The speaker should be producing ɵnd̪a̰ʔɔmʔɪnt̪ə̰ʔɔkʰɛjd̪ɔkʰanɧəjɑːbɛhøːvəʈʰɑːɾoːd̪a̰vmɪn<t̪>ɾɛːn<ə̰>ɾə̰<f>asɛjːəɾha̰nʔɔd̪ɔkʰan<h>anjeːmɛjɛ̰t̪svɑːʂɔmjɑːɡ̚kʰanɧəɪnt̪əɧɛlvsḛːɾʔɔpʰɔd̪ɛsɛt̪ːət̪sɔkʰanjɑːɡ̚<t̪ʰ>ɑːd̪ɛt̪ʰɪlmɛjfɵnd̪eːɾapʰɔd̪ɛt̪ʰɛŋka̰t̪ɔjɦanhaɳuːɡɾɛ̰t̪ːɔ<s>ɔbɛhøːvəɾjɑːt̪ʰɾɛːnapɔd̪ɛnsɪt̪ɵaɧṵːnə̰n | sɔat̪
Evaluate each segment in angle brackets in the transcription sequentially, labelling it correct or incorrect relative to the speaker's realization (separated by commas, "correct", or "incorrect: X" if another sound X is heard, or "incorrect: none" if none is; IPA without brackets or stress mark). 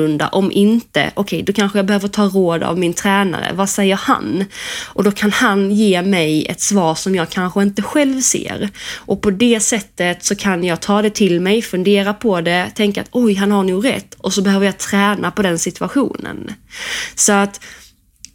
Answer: incorrect: t̪ʰ, incorrect: a̰, incorrect: v, correct, correct, correct